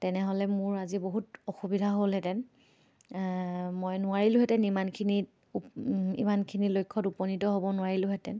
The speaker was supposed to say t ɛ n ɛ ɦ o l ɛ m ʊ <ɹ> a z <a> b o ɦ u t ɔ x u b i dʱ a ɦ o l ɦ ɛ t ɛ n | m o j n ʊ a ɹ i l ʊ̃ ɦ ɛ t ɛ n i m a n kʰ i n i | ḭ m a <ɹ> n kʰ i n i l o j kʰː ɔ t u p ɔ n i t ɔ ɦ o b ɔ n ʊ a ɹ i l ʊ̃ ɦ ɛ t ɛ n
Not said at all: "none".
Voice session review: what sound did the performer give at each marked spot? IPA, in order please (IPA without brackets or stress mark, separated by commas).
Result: ɹ, i, none